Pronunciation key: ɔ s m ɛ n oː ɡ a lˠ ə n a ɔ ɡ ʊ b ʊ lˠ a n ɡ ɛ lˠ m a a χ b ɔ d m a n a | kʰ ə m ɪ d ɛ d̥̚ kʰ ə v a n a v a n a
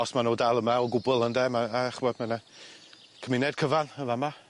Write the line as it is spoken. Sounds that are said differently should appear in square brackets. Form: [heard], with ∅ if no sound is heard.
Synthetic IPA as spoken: ɔ s m [a] n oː [d] a lˠ ə [m] a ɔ ɡ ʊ b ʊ lˠ [ə] n [d] ɛ [∅] m a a χ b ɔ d m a n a | kʰ ə m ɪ [n] ɛ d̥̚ kʰ ə v a n [ə] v a [m] a